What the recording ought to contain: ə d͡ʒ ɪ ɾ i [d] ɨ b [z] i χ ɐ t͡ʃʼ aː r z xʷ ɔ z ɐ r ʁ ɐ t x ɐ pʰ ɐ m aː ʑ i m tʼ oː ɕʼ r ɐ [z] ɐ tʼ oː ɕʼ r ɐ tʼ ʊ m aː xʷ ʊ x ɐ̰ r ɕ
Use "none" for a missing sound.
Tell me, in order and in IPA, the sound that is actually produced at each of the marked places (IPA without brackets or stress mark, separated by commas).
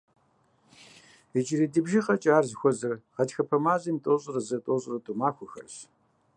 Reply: d, ʒ, z